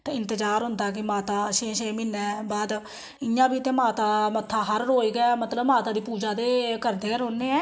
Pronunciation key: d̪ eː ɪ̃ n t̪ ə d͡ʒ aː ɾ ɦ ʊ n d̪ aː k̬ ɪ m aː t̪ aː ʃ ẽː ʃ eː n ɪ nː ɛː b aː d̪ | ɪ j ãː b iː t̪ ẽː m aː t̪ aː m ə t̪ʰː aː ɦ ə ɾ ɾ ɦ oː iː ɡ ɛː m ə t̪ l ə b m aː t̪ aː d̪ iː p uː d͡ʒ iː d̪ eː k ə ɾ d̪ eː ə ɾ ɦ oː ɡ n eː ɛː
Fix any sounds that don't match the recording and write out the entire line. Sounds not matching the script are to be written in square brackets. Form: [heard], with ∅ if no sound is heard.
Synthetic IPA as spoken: [t̪] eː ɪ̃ n t̪ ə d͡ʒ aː ɾ ɦ ʊ n d̪ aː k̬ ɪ m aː t̪ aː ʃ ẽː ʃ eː [m] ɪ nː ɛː b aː d̪ | ɪ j ãː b iː t̪ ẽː m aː t̪ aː m ə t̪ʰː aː ɦ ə ɾ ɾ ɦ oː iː ɡ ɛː m ə t̪ l ə b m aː t̪ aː d̪ iː p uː d͡ʒ [aː] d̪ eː k ə ɾ d̪ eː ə ɾ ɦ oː [∅] n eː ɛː